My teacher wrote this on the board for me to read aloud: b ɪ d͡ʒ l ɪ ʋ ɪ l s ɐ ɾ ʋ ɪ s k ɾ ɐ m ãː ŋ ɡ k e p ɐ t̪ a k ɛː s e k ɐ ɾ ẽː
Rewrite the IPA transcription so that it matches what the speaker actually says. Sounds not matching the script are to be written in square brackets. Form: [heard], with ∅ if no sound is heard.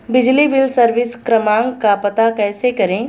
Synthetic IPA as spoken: b ɪ d͡ʒ l [i] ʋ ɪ l s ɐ ɾ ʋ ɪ s k ɾ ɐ m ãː ŋ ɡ k [a] p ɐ t̪ a k ɛː s e k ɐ ɾ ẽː